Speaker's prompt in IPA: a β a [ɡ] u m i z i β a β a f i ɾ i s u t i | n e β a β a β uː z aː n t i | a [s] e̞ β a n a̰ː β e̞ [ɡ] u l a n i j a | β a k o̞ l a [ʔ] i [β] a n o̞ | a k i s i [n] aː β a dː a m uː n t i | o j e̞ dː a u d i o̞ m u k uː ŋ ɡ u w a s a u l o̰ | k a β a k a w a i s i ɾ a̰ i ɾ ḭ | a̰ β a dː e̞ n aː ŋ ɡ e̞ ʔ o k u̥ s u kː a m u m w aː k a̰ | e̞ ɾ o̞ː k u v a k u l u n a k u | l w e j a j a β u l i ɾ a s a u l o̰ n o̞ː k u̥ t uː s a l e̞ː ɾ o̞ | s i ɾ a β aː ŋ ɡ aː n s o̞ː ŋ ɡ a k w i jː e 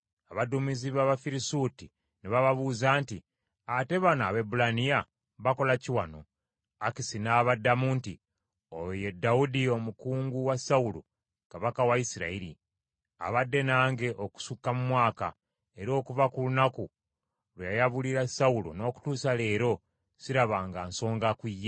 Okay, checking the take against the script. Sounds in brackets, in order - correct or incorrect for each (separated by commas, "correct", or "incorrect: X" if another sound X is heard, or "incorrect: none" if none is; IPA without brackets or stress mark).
incorrect: d, incorrect: t, incorrect: b, incorrect: c, incorrect: w, correct